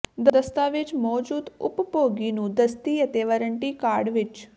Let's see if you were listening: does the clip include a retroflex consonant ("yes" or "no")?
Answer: yes